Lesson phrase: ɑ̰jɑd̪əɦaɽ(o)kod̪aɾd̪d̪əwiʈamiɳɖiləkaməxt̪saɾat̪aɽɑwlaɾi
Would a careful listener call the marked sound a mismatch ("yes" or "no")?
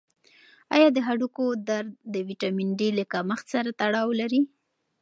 yes